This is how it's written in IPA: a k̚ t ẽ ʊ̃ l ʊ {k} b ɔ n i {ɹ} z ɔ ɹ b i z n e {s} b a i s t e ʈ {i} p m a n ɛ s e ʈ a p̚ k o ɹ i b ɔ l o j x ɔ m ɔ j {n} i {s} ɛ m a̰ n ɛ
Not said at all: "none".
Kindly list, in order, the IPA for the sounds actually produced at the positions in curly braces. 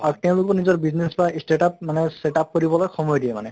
k, none, s, a, d, none

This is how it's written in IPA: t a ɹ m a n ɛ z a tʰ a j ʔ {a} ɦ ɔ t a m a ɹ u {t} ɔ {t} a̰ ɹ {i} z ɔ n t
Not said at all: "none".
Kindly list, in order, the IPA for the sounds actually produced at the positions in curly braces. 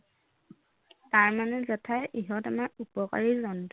i, p, k, i

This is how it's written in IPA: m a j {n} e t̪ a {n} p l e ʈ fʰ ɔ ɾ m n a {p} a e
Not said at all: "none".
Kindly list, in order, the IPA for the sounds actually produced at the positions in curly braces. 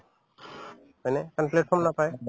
n, n, p

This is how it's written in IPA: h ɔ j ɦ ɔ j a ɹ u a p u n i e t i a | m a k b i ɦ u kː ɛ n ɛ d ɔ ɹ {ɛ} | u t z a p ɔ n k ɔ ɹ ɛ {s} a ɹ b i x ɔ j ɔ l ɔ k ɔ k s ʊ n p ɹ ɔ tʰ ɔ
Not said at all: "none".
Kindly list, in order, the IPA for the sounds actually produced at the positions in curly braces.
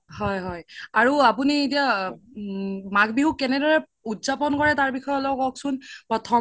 ɛ, t

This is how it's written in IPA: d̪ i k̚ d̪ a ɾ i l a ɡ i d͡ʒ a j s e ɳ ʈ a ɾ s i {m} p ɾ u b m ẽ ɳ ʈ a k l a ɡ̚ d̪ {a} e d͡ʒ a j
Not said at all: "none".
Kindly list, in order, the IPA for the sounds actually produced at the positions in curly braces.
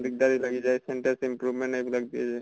m, i

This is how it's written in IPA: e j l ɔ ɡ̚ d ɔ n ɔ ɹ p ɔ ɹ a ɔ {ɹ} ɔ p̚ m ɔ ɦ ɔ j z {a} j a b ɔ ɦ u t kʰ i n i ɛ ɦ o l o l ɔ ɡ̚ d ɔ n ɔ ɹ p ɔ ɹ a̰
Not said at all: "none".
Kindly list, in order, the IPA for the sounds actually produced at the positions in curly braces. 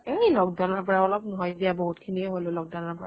l, i

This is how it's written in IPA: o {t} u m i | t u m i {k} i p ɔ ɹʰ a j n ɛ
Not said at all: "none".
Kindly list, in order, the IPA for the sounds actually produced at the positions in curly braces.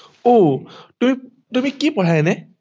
t, k

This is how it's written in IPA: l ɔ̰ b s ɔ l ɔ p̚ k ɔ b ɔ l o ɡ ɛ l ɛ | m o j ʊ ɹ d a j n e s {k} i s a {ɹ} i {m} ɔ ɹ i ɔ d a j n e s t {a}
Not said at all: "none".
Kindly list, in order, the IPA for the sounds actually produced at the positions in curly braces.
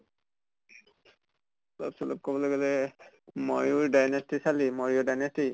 t, l, m, i

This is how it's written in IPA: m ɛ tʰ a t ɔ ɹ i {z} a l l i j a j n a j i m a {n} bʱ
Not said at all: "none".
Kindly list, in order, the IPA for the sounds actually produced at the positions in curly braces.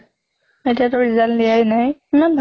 z, n

